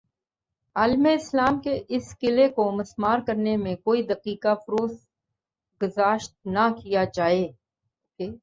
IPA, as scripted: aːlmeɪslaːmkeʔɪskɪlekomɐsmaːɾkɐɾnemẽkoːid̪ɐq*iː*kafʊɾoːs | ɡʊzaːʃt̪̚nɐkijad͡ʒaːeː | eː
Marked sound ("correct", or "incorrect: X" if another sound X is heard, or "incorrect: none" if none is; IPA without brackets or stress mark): correct